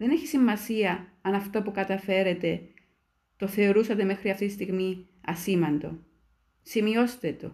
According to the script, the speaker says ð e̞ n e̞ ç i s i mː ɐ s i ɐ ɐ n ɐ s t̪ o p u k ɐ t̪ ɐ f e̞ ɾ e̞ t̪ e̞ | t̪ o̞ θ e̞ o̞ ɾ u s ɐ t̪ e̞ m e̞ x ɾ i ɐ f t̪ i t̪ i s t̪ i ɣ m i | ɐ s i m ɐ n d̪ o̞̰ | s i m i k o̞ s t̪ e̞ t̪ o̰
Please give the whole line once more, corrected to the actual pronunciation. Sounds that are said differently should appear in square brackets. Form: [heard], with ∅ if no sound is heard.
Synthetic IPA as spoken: ð e̞ n e̞ ç i s i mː ɐ s i ɐ ɐ n ɐ [f] t̪ o p u k ɐ t̪ ɐ f e̞ ɾ e̞ t̪ e̞ | t̪ o̞ θ e̞ o̞ ɾ u s ɐ t̪ e̞ m e̞ x ɾ i ɐ f t̪ i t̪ i s t̪ i ɣ m i | ɐ s i m ɐ n d̪ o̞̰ | s i m i [∅] o̞ s t̪ e̞ t̪ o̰